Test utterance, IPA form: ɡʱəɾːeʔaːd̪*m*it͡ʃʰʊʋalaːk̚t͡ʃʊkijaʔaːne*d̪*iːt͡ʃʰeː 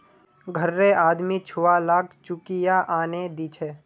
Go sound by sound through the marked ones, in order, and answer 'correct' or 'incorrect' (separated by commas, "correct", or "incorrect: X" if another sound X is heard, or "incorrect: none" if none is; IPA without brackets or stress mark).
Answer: correct, correct